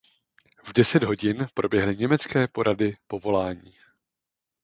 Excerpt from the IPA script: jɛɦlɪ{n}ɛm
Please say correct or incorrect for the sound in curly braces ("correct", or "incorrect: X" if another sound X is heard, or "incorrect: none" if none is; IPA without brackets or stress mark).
incorrect: ɲ